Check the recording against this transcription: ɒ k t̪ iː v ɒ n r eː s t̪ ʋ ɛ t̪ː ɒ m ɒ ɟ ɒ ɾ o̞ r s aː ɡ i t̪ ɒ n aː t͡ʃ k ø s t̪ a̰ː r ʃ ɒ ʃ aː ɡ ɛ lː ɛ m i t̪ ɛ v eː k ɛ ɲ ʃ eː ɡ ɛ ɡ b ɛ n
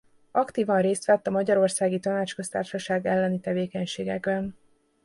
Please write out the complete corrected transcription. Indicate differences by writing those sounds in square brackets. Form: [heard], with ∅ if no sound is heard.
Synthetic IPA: ɒ k t̪ iː v ɒ n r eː s t̪ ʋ ɛ t̪ː ɒ m ɒ ɟ ɒ ɾ o̞ r s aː ɡ i t̪ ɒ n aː t͡ʃ k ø s t̪ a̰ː r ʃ ɒ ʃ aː ɡ ɛ lː ɛ [n] i t̪ ɛ v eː k ɛ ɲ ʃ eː ɡ ɛ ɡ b ɛ n

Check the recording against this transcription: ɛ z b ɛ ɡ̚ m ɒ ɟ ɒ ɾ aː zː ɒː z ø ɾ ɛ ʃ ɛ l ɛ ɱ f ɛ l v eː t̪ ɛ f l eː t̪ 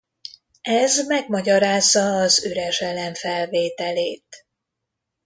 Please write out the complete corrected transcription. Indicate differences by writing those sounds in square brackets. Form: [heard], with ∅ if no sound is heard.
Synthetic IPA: ɛ z [m] ɛ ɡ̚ m ɒ ɟ ɒ ɾ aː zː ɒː z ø ɾ ɛ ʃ ɛ l ɛ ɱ f ɛ l v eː t̪ ɛ [∅] l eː t̪

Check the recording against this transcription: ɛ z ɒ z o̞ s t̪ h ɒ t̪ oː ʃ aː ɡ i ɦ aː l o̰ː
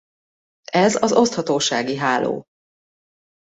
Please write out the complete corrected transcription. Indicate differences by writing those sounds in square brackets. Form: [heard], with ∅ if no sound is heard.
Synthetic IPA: ɛ z ɒ z o̞ s t̪ h ɒ t̪ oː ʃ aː ɡ i ɦ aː l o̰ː

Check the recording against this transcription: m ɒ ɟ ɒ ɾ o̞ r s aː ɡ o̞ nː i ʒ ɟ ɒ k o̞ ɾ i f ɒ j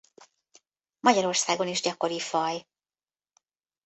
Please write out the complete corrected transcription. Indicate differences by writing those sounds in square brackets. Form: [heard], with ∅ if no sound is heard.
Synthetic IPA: m ɒ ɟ ɒ ɾ o̞ r s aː ɡ o̞ [n] i ʒ ɟ ɒ k o̞ ɾ i f ɒ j

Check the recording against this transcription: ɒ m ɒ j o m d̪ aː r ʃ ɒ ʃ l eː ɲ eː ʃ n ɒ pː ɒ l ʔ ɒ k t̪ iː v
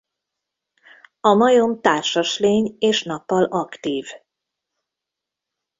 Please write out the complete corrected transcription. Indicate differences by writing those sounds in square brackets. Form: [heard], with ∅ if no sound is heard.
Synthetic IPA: ɒ m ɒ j o m [t̪] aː r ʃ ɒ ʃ l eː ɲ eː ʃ n ɒ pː ɒ l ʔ ɒ k t̪ iː v

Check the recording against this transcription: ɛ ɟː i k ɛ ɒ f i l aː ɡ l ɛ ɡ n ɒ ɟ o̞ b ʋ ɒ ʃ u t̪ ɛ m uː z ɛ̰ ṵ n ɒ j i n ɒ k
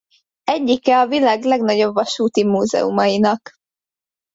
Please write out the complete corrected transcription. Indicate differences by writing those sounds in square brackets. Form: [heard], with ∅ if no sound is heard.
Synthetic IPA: ɛ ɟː i k ɛ ɒ [v] i l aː ɡ l ɛ ɡ n ɒ ɟ o̞ b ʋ ɒ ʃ [uː] t̪ [i] m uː z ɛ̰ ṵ [m] ɒ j i n ɒ k

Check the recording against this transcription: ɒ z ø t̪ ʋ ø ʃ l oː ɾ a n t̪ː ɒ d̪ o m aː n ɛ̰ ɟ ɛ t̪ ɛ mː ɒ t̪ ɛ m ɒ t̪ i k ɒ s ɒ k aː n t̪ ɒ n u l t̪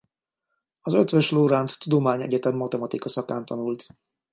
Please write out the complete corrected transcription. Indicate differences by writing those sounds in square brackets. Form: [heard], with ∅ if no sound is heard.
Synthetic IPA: ɒ z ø t̪ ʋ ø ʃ l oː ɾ a n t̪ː [u] d̪ o m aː [ɲ] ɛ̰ ɟ ɛ t̪ ɛ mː ɒ t̪ ɛ m ɒ t̪ i k ɒ s ɒ k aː n t̪ ɒ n u l t̪

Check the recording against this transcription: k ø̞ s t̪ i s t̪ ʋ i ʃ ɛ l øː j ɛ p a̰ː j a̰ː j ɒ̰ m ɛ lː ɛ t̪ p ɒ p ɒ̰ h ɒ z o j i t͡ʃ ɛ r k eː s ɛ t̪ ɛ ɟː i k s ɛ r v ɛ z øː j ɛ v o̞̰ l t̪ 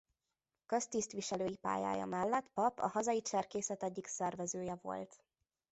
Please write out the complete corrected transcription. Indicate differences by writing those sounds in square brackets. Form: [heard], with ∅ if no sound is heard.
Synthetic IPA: k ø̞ s t̪ i s t̪ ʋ i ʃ ɛ l øː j [i] p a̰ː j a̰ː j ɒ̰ m ɛ lː ɛ t̪ p ɒ p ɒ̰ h ɒ z [ɒ] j i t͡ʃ ɛ r k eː s ɛ t̪ ɛ ɟː i k s ɛ r v ɛ z øː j ɛ v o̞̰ l t̪

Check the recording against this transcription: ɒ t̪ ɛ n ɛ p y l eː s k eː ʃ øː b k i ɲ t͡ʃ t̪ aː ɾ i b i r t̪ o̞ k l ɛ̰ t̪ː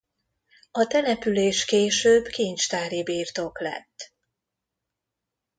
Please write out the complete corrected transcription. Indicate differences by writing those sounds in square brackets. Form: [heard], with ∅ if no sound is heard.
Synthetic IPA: ɒ t̪ ɛ n ɛ p y l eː [ʃ] k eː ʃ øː b k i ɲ t͡ʃ t̪ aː ɾ i b [iː] r t̪ o̞ k l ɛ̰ t̪ː

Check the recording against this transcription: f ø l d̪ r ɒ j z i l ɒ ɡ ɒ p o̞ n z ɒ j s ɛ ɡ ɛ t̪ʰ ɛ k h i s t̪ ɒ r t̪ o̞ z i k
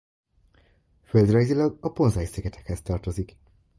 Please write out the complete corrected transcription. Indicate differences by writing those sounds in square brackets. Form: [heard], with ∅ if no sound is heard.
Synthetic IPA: f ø l d̪ r ɒ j z i l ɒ ɡ ɒ p o̞ n z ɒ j s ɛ ɡ ɛ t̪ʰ ɛ k h [ɛ] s t̪ ɒ r t̪ o̞ z i k

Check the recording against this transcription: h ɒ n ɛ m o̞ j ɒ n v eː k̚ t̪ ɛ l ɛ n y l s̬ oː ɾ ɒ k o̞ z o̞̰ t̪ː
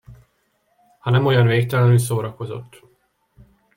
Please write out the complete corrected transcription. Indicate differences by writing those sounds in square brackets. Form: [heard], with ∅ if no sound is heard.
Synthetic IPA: h ɒ n ɛ m o̞ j ɒ n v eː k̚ t̪ ɛ l ɛ n y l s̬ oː ɾ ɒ k o̞ z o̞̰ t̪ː

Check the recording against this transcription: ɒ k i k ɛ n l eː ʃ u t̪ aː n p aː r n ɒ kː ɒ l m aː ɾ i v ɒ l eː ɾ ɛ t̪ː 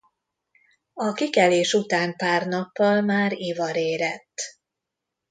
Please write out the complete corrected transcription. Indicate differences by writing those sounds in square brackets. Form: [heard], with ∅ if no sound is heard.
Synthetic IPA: ɒ k i k ɛ [∅] l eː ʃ u t̪ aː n p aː r n ɒ [pː] ɒ l m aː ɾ i v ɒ [ɾ] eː ɾ ɛ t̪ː

